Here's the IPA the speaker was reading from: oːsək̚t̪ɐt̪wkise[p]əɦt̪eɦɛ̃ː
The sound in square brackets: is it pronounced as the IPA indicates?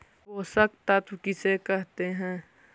no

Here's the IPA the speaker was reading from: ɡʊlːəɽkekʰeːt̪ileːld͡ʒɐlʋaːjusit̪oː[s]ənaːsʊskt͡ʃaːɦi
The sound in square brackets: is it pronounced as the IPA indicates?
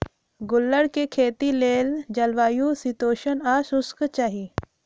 no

